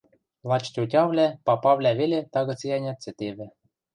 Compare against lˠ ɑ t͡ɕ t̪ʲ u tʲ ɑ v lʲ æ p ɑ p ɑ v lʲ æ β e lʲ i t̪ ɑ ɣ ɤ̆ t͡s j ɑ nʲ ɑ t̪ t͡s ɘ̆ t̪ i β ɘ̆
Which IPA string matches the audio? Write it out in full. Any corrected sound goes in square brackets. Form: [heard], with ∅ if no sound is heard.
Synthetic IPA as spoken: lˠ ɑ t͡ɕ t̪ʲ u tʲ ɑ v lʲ æ p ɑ p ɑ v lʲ æ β e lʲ [e] t̪ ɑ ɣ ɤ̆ t͡s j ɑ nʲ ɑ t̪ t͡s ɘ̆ t̪ [e] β ɘ̆